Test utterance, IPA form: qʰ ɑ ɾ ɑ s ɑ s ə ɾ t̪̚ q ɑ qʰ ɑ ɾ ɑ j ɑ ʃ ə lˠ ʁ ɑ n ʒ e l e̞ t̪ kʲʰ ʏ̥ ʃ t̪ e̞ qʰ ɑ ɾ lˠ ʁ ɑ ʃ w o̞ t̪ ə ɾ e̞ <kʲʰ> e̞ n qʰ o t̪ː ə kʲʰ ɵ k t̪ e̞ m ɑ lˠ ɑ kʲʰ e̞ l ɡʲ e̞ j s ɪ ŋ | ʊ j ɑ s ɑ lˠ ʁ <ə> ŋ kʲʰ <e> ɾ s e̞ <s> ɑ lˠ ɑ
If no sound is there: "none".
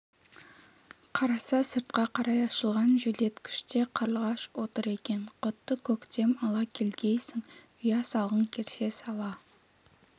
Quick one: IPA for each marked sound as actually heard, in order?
kʲ, ə, e, s

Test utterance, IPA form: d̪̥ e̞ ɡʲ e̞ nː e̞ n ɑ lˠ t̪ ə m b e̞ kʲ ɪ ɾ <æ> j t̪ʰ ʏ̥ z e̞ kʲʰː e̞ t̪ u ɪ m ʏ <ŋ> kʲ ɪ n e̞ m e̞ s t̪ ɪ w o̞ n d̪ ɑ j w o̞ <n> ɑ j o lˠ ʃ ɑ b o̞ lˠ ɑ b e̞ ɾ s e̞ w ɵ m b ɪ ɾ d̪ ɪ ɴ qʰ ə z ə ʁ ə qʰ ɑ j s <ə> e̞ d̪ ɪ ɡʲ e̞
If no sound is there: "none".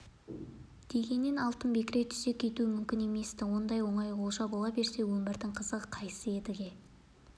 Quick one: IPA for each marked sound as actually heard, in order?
e, m, ɴ, ə

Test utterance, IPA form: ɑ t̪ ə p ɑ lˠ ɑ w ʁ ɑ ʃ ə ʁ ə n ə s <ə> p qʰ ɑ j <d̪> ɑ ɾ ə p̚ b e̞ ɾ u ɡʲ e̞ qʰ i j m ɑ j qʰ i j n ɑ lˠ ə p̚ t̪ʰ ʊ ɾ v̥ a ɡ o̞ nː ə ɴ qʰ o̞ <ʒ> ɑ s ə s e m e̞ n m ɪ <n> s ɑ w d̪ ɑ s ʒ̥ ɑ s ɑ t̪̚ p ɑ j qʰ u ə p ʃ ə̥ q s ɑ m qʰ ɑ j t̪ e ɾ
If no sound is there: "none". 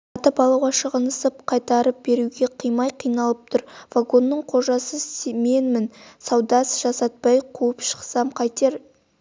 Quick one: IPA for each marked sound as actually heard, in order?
ə, t̪, ʒ, n

